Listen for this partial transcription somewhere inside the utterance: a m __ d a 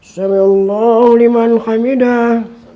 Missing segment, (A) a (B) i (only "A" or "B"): B